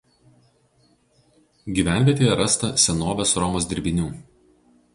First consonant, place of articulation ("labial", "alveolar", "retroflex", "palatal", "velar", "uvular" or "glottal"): velar